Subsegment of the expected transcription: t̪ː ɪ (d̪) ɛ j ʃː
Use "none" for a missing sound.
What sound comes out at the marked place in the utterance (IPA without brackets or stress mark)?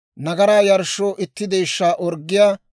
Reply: d̪